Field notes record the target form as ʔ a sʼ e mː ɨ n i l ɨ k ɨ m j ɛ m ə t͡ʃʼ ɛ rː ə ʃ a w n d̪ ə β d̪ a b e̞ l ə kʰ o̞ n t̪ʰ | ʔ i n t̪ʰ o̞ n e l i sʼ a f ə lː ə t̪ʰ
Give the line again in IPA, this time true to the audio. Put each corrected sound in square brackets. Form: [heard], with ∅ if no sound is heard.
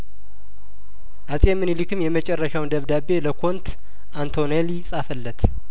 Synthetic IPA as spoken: ʔ a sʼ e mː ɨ n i l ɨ k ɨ m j ɛ m ə t͡ʃʼ ɛ rː ə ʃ a w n d̪ ə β d̪ a b e̞ l ə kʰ o̞ n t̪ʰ | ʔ [a] n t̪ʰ o̞ n e l i sʼ a f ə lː ə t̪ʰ

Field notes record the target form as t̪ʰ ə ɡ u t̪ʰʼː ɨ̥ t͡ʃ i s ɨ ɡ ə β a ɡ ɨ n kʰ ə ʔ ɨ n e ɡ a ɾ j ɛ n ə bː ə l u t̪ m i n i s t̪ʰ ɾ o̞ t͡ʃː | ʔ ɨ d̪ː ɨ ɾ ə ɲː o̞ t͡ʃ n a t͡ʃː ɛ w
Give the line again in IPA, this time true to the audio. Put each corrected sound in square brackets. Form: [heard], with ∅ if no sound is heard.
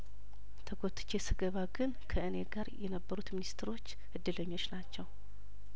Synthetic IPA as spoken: t̪ʰ ə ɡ [o] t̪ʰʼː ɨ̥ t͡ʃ [e] s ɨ ɡ ə β a ɡ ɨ n kʰ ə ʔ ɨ n e ɡ a ɾ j ɛ n ə bː ə [ɾ] u t̪ m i n i s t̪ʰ ɾ o̞ t͡ʃː | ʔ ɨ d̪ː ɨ [l] ə ɲː o̞ t͡ʃ n a t͡ʃː ɛ w

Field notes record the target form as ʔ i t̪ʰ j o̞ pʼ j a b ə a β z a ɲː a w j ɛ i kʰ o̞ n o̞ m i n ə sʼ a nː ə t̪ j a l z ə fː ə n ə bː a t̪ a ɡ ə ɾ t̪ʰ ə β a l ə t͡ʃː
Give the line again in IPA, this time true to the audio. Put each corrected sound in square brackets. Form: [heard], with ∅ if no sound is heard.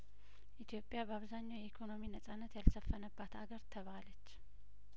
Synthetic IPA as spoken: ʔ i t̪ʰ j o̞ pʼ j a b ə a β z a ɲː a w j ɛ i kʰ o̞ n o̞ m i n ə sʼ a nː ə t̪ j a l [s] ə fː ə n ə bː a t̪ a ɡ ə ɾ t̪ʰ ə β a l ə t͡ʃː

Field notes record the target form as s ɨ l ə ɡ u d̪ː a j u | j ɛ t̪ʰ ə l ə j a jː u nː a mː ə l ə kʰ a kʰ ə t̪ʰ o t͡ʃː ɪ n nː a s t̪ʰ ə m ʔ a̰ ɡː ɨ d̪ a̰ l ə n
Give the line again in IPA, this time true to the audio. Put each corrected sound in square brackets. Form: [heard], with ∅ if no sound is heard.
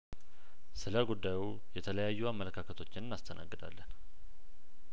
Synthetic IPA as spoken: s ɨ l ə ɡ u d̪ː a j u | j ɛ t̪ʰ ə l ə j a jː u [∅] a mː ə l ə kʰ a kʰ ə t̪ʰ o t͡ʃː ɪ n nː a s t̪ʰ ə [n] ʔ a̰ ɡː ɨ d̪ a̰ [lː] ə n

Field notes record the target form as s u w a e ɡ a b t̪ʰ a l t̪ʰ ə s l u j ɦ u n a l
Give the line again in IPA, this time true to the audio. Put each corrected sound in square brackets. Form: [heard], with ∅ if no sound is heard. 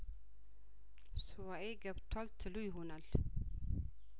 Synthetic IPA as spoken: s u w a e ɡ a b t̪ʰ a l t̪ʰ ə [∅] l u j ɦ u n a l

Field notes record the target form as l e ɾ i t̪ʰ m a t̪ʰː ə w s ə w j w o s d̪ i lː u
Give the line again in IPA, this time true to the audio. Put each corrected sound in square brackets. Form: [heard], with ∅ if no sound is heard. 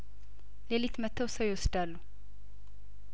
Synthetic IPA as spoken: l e [l] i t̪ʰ m [ə] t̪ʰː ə w s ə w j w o s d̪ [a] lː u

